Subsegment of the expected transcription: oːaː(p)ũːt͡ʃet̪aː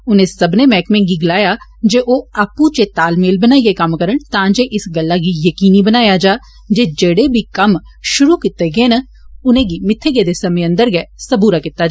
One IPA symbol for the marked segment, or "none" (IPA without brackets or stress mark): p